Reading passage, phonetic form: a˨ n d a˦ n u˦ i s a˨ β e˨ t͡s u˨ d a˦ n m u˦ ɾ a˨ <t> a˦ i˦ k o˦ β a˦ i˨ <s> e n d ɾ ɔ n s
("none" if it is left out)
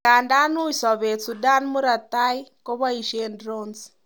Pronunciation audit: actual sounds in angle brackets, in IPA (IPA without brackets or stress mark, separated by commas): t, ʃ